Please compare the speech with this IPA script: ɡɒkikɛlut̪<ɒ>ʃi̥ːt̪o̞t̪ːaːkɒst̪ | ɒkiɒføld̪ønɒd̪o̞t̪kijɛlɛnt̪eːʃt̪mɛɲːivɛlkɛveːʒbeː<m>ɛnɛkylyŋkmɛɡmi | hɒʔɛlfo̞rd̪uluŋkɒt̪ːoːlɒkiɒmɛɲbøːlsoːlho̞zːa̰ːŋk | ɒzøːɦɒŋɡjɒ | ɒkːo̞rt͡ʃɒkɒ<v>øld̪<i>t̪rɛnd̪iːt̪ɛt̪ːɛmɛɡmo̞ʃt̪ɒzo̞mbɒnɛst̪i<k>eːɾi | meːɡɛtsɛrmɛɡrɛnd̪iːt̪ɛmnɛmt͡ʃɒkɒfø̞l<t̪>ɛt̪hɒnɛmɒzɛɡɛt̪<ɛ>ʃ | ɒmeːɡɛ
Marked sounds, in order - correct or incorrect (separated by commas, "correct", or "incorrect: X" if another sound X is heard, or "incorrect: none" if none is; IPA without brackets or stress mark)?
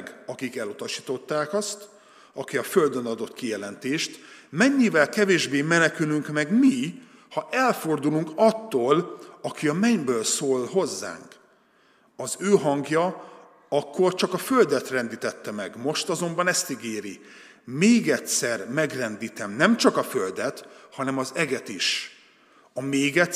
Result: correct, correct, incorrect: f, incorrect: ɛ, incorrect: ɡ, incorrect: d̪, incorrect: i